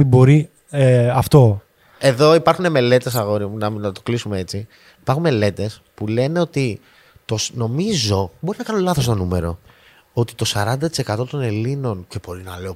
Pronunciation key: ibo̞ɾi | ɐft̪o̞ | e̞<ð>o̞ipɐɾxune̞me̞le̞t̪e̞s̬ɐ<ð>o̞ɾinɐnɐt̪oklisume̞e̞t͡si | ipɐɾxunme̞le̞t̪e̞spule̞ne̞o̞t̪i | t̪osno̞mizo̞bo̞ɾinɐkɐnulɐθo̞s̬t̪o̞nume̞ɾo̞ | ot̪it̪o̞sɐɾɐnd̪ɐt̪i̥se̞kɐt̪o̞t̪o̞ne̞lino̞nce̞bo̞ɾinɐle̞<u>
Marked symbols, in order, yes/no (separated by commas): yes, no, no